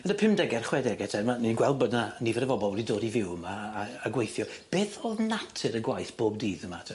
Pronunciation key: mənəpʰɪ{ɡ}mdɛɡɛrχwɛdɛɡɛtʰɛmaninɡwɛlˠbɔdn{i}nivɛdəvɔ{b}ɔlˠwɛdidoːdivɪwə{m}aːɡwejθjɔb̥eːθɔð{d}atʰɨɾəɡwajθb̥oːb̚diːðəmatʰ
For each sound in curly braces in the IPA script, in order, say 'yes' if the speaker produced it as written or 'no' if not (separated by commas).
no, no, yes, yes, no